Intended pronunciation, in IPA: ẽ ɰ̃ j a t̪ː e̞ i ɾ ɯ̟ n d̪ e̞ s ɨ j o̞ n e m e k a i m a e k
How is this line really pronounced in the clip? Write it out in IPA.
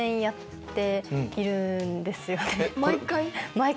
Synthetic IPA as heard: ẽ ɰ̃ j a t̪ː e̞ i ɾ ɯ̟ n d̪ e̞ s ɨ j o̞ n e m a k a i m a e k